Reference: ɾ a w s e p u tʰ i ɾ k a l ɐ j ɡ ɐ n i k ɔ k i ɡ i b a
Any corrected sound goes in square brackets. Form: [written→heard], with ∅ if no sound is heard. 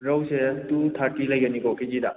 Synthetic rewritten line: ɾ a w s e [p→t] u tʰ [i→a] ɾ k [a→i] l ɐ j ɡ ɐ n i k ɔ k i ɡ i [b→d] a